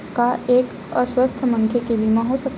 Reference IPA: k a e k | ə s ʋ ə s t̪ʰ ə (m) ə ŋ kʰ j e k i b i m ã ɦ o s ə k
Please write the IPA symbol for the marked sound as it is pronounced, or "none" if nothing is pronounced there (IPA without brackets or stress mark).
m